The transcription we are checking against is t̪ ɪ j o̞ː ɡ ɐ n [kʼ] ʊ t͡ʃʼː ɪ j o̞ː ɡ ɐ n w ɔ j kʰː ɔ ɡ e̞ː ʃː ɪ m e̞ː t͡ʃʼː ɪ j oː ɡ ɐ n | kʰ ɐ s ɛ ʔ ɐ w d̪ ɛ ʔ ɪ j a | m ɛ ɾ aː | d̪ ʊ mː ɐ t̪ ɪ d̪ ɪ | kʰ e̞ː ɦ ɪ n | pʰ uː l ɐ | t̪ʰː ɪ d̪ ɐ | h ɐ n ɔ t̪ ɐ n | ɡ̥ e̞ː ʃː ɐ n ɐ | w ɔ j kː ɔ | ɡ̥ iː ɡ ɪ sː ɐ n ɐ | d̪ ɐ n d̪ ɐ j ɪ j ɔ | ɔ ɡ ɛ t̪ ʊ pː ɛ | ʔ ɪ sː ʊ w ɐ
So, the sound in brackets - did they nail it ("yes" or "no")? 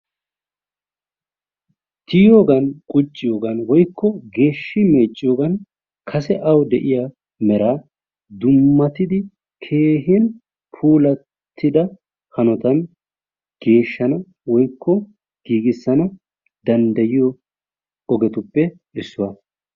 yes